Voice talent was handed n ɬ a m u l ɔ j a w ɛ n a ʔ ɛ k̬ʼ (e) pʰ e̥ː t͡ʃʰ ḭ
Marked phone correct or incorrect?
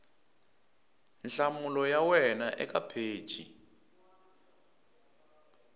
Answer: incorrect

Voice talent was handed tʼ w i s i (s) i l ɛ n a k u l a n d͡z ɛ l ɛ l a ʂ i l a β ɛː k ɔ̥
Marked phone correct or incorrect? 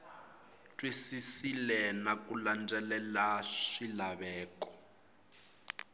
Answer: correct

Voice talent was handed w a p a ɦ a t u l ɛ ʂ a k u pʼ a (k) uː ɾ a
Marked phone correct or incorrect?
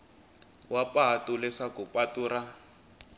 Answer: incorrect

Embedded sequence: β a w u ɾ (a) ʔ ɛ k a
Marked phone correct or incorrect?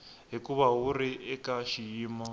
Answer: incorrect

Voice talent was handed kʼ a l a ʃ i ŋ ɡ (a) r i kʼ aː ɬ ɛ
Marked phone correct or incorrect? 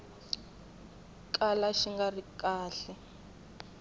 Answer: correct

